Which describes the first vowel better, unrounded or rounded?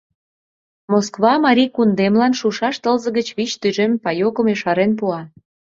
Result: rounded